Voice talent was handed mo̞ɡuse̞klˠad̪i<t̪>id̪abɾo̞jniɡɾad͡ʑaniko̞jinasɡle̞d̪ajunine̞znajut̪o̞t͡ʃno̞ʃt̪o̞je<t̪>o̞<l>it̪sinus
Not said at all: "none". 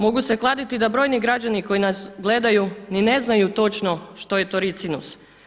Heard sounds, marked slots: t̪, t̪, ɾ

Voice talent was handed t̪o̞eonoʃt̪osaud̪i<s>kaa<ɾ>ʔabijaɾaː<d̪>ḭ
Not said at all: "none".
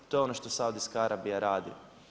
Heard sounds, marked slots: s, ɾ, d̪

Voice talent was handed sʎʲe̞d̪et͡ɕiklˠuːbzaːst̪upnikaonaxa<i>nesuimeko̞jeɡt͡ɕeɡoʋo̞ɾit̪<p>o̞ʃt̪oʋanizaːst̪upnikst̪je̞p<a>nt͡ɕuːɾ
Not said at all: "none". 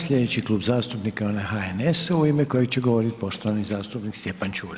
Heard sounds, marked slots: e, p, a

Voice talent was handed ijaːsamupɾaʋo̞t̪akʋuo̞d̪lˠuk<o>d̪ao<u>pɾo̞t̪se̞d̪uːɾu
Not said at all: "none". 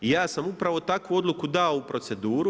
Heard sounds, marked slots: u, u

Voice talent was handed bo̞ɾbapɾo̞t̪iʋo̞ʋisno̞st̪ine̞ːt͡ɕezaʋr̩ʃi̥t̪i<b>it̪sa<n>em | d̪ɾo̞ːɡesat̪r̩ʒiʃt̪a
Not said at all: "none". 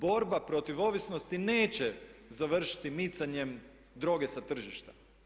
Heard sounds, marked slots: m, ɲ

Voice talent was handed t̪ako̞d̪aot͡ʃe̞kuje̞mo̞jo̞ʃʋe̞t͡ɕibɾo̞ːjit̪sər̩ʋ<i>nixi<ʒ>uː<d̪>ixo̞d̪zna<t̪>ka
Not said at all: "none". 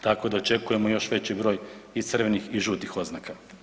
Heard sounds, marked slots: e, ʒ, t̪, none

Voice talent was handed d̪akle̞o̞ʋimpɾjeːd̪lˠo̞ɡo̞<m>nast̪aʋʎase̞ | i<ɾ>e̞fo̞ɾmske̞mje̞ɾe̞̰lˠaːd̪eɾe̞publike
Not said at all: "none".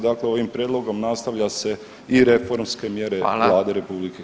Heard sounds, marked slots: m, ɾ

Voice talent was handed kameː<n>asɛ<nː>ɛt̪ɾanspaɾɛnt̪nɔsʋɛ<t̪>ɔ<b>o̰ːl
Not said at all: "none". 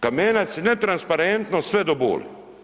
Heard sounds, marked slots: n, n, d̪, b

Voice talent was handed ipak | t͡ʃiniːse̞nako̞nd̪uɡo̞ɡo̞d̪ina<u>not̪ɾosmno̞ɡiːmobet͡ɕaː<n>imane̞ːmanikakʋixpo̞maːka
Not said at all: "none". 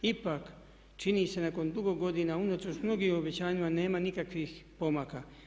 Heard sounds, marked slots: u, ɲ

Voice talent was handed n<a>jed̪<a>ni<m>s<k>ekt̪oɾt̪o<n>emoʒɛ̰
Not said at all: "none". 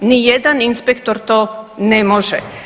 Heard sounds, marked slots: i, a, n, p, n

